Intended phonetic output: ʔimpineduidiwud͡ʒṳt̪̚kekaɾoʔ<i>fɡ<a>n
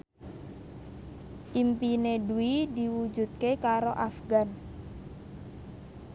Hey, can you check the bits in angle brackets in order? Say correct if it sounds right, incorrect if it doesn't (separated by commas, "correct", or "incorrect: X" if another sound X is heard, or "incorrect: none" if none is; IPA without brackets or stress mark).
incorrect: a, correct